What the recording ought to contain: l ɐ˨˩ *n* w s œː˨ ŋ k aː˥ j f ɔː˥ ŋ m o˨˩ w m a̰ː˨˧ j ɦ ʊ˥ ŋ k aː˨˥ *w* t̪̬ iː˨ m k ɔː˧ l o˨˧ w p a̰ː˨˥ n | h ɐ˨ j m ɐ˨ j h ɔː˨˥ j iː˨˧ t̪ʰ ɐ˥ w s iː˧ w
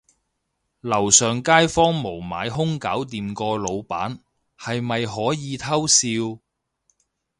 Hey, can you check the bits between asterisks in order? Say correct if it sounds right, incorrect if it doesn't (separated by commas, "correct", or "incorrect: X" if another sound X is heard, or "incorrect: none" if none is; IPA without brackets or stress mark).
incorrect: none, correct